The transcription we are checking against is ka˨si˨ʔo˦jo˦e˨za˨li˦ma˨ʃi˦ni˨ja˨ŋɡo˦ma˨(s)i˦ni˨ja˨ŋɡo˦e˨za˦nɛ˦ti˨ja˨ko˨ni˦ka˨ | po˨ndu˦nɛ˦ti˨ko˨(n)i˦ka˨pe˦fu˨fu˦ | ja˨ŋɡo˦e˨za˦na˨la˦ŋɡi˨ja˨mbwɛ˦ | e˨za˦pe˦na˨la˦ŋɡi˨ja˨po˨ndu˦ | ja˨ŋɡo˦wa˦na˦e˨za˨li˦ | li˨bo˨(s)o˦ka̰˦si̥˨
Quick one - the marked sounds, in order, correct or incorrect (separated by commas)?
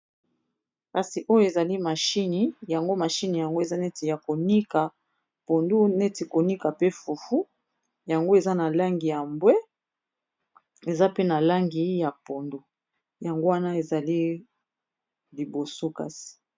incorrect, correct, correct